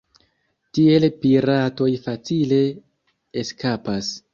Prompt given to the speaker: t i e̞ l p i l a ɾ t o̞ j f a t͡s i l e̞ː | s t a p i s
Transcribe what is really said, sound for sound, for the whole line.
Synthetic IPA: t i e̞ l p i ɾ a t o̞ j f a t͡s i l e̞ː | s k a p a s